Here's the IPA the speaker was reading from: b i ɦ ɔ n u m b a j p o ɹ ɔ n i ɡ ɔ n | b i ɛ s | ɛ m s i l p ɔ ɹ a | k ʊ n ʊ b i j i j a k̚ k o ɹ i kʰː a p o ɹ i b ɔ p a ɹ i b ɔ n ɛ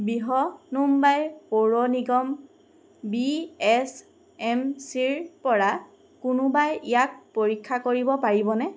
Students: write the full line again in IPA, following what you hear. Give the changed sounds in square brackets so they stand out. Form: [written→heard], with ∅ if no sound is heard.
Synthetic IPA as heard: b i ɦ ɔ n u m b a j p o ɹ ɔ n i ɡ ɔ [n→m] | b i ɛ s | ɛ m s i [l→ɹ] p ɔ ɹ a | k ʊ n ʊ b [i→a] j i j a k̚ [k→p] o ɹ i kʰː a [p→k] o ɹ i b ɔ p a ɹ i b ɔ n ɛ

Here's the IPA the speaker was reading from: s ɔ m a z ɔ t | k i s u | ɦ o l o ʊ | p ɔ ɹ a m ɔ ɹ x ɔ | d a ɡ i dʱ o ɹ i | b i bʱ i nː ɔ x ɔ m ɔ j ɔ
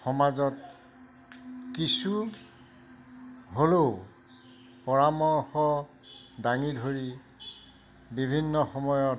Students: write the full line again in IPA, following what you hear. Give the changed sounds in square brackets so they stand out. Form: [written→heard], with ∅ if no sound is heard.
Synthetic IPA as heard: [s→x] ɔ m a z ɔ t | k i s u | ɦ o l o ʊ | p ɔ ɹ a m ɔ ɹ x ɔ | d a [ɡ→ŋ] i dʱ o ɹ i | b i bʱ i nː ɔ x ɔ m ɔ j ɔ

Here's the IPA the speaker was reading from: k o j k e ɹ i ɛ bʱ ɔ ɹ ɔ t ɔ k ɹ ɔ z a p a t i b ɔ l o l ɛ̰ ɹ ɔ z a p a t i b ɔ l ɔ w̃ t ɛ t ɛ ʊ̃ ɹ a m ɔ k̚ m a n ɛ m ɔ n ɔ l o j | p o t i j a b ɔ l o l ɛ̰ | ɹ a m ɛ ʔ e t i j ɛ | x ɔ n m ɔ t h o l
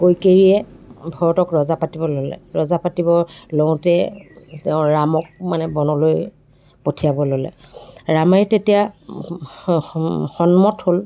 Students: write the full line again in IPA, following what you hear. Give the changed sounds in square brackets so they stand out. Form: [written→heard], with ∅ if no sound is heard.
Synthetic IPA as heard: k o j k e ɹ i ɛ bʱ ɔ ɹ ɔ t ɔ k ɹ ɔ z a p a t i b ɔ l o l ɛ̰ ɹ ɔ z a p a t i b ɔ l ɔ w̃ t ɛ t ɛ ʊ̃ ɹ a m ɔ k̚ m a n ɛ [m→b] ɔ n ɔ l o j | p o [t→tʰ] i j a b ɔ l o l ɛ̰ | ɹ a m ɛ [ʔ→t] e t i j [ɛ→a] | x ɔ n m ɔ t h o l

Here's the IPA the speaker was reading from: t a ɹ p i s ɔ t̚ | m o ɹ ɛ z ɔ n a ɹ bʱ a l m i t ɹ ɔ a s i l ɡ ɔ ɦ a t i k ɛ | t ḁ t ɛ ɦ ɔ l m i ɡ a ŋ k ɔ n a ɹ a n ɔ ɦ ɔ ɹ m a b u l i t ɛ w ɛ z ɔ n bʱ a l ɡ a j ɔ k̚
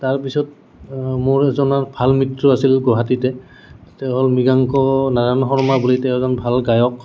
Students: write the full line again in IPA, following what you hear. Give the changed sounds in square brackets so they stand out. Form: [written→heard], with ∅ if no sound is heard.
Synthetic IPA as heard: t a ɹ p i s ɔ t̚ | m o ɹ ɛ z ɔ n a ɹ bʱ a l m i t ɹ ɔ a s i l ɡ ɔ ɦ a t i [k→t] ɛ | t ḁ t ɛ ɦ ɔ l m i ɡ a ŋ k ɔ n a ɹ a n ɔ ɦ ɔ ɹ m a b u l i t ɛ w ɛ z ɔ n bʱ a l ɡ a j ɔ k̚

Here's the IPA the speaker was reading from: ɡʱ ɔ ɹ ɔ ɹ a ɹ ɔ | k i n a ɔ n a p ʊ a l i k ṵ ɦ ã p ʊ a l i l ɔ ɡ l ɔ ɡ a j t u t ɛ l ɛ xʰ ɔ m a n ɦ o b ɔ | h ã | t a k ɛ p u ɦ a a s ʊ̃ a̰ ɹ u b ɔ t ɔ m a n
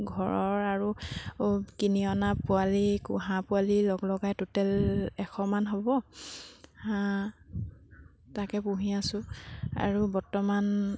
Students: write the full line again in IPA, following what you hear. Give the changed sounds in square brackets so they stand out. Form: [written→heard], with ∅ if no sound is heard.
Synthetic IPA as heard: ɡʱ ɔ ɹ ɔ ɹ a ɹ [ɔ→u] | k i n [a→i] ɔ n a p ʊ a l i k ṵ ɦ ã p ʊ a l i l ɔ ɡ l ɔ ɡ a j t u t ɛ l ɛ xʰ ɔ m a n ɦ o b ɔ | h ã | t a k ɛ p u ɦ [a→i] a s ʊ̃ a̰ ɹ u b ɔ t ɔ m a n

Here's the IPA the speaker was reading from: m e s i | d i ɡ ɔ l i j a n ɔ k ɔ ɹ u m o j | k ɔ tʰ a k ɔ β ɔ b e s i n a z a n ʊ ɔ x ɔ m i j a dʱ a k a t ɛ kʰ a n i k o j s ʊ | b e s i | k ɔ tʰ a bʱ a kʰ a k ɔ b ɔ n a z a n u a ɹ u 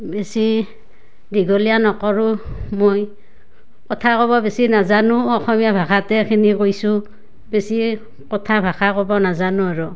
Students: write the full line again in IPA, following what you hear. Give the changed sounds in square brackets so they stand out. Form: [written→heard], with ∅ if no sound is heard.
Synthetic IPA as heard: [m→b] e s i | d i ɡ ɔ l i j a n ɔ k ɔ ɹ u m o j | k ɔ tʰ a k ɔ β ɔ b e s i n a z a n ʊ ɔ x ɔ m i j a [dʱ→bʱ] a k a t ɛ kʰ [a→i] n i k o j s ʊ | b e s i | k ɔ tʰ a bʱ a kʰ a k ɔ b ɔ n a z a n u a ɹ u

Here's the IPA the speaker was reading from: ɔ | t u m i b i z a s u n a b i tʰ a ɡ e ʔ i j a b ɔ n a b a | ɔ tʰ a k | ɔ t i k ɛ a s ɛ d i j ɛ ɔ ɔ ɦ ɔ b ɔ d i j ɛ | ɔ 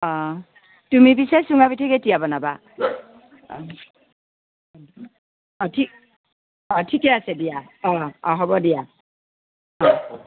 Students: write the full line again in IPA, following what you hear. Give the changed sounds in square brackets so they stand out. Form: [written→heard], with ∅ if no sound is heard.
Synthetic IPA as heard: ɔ | t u m i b i [z→s] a s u [n→ŋ] a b i tʰ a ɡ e [ʔ→t] i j a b ɔ n a b a | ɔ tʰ [a→i] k | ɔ [t→tʰ] i k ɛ a s ɛ d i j [ɛ→a] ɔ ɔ ɦ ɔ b ɔ d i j [ɛ→a] | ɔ

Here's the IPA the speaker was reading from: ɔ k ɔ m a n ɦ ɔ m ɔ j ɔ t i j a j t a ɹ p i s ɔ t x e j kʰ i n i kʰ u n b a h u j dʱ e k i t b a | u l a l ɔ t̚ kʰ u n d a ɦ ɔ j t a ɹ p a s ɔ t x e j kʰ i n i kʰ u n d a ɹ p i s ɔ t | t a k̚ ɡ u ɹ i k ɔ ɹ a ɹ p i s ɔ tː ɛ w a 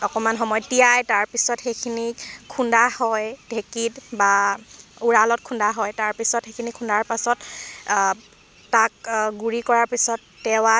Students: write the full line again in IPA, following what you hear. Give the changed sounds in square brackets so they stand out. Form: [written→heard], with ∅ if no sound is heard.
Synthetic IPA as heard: ɔ k ɔ m a n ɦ ɔ m ɔ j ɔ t i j a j t a ɹ p i s ɔ t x e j kʰ i n i kʰ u n [b→d] a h [u→ɔ] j dʱ e k i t b a | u [l→ɹ] a l ɔ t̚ kʰ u n d a ɦ ɔ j t a ɹ p [a→i] s ɔ t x e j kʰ i n i kʰ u n d a ɹ p [i→a] s ɔ t | t a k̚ ɡ u ɹ i k ɔ ɹ a ɹ p i s ɔ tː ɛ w a

